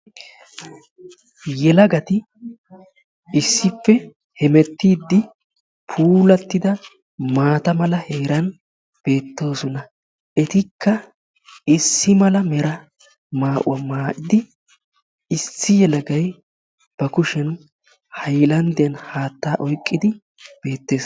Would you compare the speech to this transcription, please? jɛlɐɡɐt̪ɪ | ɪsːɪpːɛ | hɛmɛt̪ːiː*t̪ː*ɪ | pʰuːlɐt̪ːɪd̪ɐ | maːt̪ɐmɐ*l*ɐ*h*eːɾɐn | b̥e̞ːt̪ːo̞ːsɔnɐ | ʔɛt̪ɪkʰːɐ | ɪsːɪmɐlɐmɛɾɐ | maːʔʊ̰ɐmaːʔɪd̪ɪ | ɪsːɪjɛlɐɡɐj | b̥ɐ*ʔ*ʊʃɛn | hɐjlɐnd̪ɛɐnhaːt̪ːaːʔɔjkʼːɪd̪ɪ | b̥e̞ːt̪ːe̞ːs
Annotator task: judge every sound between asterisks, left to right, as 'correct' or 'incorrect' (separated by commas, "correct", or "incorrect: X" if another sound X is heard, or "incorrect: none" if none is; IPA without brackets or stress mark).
incorrect: d̪ː, correct, correct, incorrect: k